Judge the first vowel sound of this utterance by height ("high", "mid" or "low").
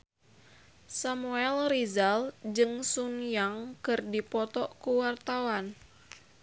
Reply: low